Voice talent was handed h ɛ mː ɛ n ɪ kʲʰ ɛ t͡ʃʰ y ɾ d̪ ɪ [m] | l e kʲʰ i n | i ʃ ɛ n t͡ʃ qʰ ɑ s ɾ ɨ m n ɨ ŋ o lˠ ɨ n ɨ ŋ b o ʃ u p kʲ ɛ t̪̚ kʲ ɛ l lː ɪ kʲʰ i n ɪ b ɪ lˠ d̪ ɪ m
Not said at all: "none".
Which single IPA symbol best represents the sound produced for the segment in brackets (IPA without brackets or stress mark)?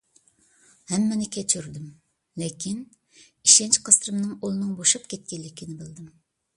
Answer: m